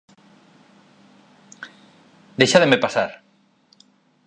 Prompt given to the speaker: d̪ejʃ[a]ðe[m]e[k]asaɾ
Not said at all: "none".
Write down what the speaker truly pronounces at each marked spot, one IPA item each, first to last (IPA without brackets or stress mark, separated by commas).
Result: a, m, p